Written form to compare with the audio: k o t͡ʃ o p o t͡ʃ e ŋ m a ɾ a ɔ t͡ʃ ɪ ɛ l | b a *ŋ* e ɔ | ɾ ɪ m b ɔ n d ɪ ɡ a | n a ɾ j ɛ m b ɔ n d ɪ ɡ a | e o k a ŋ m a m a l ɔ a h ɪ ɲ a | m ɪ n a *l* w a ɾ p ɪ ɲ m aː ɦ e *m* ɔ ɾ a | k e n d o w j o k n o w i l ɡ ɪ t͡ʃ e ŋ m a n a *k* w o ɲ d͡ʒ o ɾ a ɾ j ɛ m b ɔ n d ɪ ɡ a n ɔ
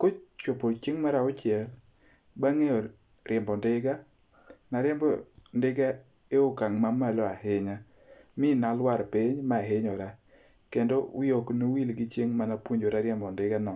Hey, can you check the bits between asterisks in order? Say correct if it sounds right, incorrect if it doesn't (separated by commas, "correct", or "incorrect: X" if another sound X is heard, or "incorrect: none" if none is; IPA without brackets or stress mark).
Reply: correct, correct, incorrect: ɲ, incorrect: p